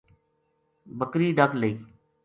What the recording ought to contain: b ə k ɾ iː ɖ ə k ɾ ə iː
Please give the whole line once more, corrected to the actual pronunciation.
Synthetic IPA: b ə k ɾ iː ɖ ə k l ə iː